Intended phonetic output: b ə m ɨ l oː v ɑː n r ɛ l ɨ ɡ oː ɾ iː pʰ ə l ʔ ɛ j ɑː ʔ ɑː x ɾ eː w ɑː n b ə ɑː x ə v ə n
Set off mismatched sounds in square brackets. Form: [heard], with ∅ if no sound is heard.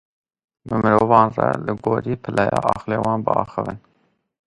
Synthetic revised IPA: b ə m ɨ [ɾ] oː v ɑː n r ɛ l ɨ ɡ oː ɾ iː pʰ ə l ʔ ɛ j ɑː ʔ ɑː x [l] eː w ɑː n b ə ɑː x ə v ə n